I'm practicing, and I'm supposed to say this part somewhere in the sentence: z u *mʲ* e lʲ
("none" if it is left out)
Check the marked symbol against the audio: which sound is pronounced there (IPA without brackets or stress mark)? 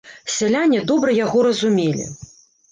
mʲ